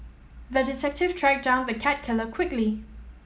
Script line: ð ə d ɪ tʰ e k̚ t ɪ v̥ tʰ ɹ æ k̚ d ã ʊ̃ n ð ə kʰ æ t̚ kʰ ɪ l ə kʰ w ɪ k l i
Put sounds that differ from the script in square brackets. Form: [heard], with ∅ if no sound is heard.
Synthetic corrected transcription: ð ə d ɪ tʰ [ɛ] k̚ t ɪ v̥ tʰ ɹ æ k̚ d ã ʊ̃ n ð ə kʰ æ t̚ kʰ ɪ l ə kʰ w ɪ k l i